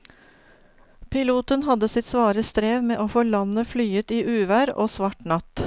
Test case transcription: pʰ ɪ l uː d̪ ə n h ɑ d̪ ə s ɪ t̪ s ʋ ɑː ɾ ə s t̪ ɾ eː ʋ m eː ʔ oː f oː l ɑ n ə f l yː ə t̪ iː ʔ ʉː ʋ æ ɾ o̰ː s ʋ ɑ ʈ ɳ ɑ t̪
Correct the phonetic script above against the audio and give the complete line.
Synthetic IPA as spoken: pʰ ɪ l uː t̪ ə n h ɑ d̪ ə s ɪ t̪ s ʋ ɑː ɾ ə s t̪ ɾ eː ʋ m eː ʔ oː f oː l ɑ n ə f l yː ə t̪ iː ʔ ʉː ʋ æ ɾ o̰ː s ʋ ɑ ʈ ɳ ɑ t̪